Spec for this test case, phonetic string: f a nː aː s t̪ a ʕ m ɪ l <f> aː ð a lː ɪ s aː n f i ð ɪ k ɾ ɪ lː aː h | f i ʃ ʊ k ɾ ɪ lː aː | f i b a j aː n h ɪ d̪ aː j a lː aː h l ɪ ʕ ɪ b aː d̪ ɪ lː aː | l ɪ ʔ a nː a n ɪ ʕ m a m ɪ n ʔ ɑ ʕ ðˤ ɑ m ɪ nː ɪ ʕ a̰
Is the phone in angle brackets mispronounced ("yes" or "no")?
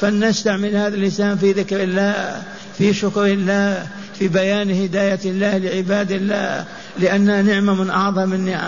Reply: yes